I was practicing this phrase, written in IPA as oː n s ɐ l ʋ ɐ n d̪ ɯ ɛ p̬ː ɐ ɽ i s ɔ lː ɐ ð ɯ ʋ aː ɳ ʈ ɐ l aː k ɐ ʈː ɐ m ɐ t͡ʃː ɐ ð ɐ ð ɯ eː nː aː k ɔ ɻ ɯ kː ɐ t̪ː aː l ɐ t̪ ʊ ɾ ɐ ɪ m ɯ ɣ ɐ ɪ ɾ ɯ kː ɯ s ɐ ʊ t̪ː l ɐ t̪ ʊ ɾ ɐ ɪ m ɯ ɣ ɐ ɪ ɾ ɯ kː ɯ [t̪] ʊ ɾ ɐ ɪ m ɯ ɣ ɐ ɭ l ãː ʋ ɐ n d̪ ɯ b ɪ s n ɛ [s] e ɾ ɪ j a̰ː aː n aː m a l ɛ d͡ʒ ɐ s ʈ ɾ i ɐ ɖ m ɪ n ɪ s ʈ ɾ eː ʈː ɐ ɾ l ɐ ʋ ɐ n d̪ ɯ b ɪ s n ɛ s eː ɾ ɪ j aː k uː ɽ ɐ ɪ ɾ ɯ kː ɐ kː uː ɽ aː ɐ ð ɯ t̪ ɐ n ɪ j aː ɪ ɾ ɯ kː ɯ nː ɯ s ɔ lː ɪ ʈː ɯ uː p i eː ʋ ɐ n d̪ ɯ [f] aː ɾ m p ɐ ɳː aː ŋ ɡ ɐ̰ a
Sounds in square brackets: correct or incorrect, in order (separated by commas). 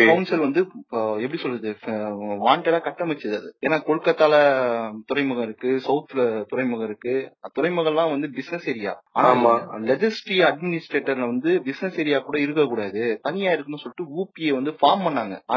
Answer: correct, correct, correct